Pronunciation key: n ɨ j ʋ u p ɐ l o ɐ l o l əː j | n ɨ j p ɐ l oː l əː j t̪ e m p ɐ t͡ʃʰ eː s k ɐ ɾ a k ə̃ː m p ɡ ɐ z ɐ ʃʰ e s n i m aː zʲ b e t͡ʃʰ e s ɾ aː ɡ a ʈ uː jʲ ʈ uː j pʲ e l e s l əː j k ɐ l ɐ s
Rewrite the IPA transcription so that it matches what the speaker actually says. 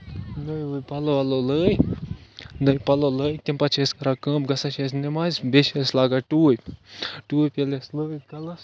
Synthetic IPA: n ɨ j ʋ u p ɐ l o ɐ l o l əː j | n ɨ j p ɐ l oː l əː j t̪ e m p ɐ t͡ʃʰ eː s k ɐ ɾ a k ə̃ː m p ɡ ɐ s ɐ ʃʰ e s n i m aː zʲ b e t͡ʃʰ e s l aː ɡ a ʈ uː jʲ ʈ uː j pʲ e l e s l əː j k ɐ l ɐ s

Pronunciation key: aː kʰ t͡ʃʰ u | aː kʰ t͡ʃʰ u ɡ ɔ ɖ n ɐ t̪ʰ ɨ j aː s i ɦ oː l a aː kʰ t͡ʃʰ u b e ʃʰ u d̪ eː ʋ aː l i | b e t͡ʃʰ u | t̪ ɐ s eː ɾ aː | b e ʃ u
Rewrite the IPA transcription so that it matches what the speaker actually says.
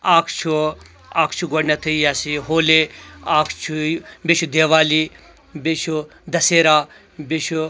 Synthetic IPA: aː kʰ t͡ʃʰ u | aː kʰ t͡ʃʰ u ɡ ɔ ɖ n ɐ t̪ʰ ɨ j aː s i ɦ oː l e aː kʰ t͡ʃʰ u b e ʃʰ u d̪ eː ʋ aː l i | b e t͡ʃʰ u | d̪ ɐ s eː ɾ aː | b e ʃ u

